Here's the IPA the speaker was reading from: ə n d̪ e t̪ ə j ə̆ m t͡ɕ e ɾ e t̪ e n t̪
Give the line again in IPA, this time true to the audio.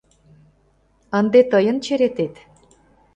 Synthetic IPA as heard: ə n d̪ e t̪ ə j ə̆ n t͡ɕ e ɾ e t̪ e t̪

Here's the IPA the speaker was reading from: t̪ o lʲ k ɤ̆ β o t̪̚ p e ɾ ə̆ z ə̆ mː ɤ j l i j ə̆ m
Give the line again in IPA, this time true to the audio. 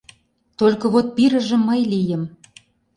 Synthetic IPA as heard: t̪ o lʲ k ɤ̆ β o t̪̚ p i ɾ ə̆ ʒ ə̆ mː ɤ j l i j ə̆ m

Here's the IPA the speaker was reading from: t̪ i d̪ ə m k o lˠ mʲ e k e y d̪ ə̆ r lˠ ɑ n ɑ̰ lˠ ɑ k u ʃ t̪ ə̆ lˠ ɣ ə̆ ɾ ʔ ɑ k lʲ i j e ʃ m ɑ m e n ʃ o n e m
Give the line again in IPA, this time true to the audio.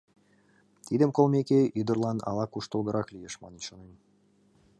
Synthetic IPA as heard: t̪ i d̪ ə m k o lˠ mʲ e k e y d̪ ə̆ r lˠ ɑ n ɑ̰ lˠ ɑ k u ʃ t̪ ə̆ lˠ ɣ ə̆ ɾ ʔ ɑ k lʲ i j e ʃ m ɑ n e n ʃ o n e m

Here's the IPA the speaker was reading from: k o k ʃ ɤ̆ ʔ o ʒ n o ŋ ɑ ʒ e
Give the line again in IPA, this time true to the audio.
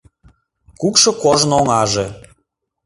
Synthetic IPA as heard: k u k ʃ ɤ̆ k o ʒ n o ŋ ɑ ʒ e

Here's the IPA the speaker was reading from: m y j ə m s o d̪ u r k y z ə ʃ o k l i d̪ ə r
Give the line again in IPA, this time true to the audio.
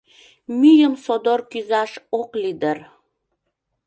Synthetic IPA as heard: m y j ə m s o d̪ o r k y z ɑ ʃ o k l i d̪ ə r

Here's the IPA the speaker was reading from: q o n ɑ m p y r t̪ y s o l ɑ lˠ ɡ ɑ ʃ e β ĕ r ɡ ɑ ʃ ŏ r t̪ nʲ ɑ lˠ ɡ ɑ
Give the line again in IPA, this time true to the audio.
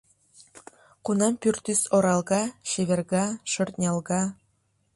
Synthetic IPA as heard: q u n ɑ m p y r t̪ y s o ɾ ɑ lˠ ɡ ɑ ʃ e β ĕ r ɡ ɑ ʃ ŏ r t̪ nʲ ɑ lˠ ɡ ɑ

